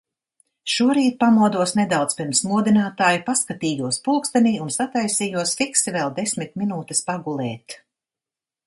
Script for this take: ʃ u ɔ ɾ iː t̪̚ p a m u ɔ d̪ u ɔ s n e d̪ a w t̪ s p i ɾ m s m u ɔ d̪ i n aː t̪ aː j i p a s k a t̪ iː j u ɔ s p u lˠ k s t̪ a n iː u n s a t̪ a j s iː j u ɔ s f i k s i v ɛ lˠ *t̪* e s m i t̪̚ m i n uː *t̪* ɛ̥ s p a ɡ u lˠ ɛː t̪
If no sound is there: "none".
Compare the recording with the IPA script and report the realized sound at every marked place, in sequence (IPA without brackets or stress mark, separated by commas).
d̪, t̪